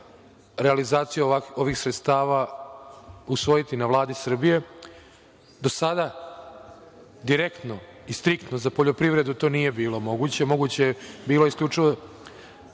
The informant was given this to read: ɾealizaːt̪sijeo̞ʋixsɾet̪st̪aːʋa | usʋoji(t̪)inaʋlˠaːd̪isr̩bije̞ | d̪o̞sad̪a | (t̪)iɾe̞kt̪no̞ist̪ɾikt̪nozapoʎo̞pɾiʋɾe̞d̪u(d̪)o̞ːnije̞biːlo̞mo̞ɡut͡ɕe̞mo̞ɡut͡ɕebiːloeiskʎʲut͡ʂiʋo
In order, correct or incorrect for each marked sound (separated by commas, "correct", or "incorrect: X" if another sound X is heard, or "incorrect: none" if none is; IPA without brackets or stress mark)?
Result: correct, incorrect: d̪, incorrect: t̪